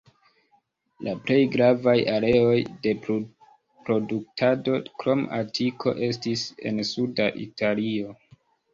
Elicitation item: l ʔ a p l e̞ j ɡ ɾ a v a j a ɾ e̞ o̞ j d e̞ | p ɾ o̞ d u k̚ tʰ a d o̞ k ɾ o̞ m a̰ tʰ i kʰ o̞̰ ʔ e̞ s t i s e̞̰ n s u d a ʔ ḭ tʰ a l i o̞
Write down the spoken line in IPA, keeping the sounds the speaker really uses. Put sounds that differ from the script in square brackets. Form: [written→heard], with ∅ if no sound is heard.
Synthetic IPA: l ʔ a p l e̞ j ɡ ɾ a v a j a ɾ e̞ o̞ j d e̞ | p ɾ o̞ d u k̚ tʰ a d o̞ k ɾ o̞ m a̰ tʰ i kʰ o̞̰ ʔ e̞ s t i s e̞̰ n s u d a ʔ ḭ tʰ a l i o̞